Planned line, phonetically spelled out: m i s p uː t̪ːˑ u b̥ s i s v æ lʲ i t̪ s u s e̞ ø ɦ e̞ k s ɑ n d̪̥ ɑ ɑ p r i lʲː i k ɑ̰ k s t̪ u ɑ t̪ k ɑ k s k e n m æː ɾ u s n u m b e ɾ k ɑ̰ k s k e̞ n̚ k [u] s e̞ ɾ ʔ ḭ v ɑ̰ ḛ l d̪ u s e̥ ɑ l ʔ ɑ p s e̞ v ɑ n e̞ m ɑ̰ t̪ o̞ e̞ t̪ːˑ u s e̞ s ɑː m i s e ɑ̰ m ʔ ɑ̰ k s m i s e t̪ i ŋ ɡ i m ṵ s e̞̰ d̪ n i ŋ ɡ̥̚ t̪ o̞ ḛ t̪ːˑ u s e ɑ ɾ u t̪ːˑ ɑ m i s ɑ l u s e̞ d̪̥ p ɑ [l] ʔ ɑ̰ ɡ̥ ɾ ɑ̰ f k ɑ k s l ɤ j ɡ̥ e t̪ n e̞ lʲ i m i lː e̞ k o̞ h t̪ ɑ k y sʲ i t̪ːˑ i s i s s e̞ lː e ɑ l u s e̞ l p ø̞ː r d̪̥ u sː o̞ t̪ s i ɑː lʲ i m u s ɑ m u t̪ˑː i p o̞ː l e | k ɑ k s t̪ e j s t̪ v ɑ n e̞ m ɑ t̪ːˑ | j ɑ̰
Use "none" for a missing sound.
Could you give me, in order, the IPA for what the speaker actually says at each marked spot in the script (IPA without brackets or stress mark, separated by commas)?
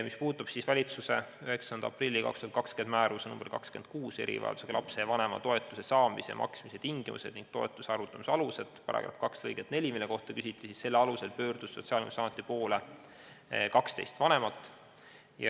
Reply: uː, ɾ